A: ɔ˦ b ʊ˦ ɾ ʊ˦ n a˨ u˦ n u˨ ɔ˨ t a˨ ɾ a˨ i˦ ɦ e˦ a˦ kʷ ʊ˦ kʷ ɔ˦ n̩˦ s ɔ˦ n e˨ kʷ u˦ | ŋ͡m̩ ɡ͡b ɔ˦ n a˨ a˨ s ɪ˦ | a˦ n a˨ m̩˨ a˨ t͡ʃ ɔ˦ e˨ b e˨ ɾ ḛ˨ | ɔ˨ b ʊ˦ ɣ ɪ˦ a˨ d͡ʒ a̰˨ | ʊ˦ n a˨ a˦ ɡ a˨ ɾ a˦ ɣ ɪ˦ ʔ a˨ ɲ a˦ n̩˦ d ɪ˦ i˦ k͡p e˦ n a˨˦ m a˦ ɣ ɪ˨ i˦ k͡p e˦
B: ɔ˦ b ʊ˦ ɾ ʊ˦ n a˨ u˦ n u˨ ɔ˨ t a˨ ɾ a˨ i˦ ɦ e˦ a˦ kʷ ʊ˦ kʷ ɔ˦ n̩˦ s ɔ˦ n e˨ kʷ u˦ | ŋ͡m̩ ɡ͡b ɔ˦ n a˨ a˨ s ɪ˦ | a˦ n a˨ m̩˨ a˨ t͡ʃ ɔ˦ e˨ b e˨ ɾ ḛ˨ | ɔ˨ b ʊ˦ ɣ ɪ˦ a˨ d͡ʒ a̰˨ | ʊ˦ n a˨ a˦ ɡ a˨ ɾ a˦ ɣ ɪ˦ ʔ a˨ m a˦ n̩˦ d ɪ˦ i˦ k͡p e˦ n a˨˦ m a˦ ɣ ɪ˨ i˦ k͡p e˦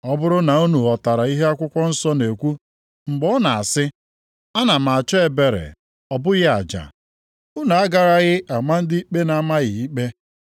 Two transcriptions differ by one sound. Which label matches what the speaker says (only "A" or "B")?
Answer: B